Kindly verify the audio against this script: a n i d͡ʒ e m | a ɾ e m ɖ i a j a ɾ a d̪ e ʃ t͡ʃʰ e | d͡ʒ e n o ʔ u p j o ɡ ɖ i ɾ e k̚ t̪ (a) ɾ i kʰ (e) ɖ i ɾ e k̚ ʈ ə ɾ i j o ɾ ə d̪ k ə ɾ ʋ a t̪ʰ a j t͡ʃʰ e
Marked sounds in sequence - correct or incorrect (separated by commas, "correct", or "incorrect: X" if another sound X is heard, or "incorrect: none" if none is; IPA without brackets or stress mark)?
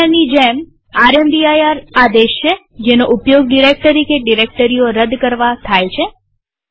incorrect: ə, correct